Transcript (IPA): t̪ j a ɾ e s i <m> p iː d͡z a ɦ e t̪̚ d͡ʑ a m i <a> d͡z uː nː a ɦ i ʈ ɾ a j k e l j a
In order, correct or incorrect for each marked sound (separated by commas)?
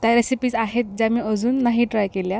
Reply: incorrect, incorrect